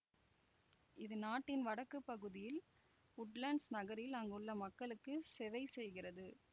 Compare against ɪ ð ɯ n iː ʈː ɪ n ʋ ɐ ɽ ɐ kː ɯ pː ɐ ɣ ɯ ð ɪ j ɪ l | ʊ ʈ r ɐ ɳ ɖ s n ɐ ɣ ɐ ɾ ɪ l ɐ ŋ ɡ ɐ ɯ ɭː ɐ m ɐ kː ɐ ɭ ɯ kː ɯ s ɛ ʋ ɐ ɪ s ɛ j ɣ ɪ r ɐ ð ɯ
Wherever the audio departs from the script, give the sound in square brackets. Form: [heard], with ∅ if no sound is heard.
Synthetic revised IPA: ɪ ð ɯ n [aː] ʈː ɪ n ʋ ɐ ɽ ɐ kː ɯ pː ɐ ɣ ɯ ð ɪ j ɪ l | ʊ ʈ [l] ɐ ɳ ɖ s n ɐ ɣ ɐ ɾ ɪ l ɐ ŋ ɡ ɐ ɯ ɭː ɐ m ɐ kː ɐ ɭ ɯ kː ɯ s ɛ ʋ ɐ ɪ s ɛ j ɣ ɪ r ɐ ð ɯ